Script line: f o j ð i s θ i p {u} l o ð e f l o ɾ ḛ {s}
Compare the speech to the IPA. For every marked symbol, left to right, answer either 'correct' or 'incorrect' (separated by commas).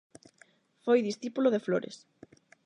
correct, correct